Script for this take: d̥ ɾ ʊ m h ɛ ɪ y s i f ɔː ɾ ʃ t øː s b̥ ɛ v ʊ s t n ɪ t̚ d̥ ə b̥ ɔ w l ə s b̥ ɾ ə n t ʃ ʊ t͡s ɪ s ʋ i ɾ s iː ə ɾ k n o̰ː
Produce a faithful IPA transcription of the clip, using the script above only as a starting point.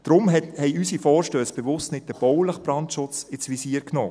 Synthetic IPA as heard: d̥ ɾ ʊ m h ɛ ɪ y s i f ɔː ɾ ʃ t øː s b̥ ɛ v ʊ s t n ɪ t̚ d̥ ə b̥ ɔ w l ə χ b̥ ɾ ɑ n t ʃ ʊ t͡s ɪ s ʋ i s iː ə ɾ k n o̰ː

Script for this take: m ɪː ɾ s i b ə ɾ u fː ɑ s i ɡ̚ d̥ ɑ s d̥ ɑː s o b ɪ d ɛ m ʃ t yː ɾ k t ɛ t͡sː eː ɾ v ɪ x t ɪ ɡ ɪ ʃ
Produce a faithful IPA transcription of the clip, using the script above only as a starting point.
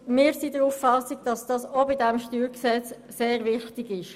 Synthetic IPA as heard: m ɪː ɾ s i d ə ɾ u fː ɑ s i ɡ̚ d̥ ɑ s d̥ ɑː s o b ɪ d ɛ m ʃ t yː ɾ k s ɛ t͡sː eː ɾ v ɪ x t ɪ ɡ ɪ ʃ

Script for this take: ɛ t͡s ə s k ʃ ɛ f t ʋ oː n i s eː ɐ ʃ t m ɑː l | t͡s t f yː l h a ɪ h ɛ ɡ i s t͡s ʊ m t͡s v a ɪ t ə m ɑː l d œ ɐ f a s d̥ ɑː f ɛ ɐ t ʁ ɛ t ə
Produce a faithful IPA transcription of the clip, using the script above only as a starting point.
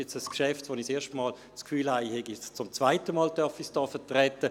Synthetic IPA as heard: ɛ t͡s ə s k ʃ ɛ f t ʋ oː n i s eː ɐ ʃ t m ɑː l | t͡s k f yː l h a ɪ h ɛ ɡ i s t͡s ʊ m t͡s v a ɪ t ə m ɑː l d œ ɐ f i s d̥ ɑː f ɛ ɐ t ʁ ɛ t ə

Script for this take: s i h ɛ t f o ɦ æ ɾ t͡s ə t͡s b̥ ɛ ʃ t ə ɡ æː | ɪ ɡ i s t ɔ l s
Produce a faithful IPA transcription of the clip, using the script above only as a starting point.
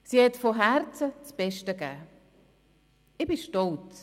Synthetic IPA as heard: s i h ɛ t f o ɦ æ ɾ t͡s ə t͡s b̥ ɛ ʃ t ə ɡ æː | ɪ b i ʃ t ɔ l t͡s

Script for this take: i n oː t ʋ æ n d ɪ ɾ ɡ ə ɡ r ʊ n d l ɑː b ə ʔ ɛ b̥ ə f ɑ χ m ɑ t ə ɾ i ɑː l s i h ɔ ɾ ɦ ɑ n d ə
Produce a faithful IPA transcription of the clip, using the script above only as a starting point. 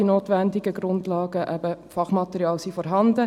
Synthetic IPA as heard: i n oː t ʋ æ n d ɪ ɡ ə ɡ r ʊ n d l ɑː ɡ ə ʔ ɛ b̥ ə f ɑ χ m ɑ t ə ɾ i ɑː l s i f ɔ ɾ ɦ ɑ n d ə

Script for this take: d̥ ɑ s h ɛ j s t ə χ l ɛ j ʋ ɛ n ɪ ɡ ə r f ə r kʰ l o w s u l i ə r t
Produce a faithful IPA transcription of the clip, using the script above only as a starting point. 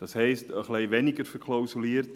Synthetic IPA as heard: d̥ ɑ s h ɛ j s t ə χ l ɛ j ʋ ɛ n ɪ ɡ ə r f ə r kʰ l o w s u l i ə r t

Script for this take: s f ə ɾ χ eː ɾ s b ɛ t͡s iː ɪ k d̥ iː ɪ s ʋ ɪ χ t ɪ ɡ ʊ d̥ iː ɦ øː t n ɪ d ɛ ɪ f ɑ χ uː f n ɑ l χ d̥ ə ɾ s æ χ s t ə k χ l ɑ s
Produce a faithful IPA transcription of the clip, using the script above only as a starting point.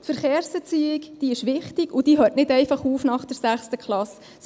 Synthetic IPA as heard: t f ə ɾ χ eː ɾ s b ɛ t͡s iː ɪ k d̥ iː ɪ ʃ ʋ ɪ χ t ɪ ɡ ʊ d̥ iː ɦ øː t n ɪ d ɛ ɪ f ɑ χ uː f n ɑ χ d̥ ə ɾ s æ χ s t ə k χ l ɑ s

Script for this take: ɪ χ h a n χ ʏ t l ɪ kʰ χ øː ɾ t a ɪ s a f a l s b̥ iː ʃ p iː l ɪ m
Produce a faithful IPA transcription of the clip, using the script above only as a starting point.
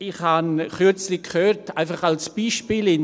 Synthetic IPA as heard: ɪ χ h a n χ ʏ t͡s l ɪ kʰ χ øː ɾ t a ɪ f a χ a l s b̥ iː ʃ p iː l ɪ n

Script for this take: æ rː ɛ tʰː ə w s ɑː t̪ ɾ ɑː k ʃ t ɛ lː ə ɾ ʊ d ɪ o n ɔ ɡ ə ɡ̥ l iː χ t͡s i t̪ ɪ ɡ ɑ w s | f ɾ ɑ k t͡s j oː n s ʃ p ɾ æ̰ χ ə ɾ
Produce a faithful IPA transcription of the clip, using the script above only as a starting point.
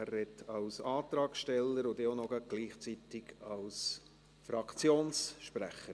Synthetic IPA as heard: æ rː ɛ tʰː ɑ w s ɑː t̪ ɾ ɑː k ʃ t ɛ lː ə ɾ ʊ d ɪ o n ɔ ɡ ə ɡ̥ l iː χ t͡s i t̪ ɪ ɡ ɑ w s | f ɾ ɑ k t͡s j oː n s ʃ p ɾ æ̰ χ ə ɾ

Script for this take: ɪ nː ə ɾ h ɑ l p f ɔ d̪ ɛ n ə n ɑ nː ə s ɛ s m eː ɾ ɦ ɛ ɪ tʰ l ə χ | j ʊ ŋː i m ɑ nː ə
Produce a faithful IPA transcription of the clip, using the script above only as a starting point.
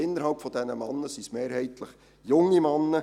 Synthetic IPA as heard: ɪ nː ə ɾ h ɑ l p f ɔ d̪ ɛ n ə m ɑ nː ə s i s m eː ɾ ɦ ɛ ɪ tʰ l ə χ | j ʊ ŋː i m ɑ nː ə

